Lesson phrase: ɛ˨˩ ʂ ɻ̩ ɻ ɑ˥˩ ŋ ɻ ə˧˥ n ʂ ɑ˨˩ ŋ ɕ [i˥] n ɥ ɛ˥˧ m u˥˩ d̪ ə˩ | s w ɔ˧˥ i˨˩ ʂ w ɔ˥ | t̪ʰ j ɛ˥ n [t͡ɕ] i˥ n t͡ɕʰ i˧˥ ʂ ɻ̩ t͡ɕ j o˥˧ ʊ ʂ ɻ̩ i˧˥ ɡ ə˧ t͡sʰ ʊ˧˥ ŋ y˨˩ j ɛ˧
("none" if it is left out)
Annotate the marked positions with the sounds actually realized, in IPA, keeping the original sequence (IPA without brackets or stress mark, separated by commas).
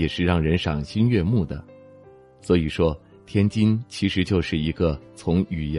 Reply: i˥, t͡ɕ